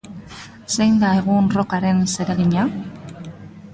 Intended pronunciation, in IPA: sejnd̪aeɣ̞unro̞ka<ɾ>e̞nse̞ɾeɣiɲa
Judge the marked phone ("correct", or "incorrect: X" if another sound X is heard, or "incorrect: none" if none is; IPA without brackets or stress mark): correct